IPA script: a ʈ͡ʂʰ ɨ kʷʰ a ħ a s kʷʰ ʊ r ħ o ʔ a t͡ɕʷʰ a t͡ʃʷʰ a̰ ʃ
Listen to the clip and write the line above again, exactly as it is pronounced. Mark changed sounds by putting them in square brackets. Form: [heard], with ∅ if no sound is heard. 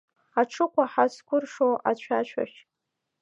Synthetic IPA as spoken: a ʈ͡ʂʰ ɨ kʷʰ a ħ a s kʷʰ ʊ r [ʂ] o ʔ a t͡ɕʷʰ a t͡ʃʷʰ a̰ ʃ